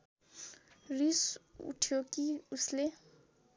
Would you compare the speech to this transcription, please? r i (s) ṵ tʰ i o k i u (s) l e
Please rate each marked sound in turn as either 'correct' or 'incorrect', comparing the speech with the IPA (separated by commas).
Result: correct, correct